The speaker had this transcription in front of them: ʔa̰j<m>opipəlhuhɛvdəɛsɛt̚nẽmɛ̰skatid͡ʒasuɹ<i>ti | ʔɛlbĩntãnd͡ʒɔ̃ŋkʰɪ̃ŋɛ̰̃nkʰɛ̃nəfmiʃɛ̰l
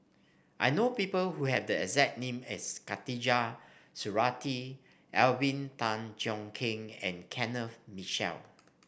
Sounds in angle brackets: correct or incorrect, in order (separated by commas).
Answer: incorrect, incorrect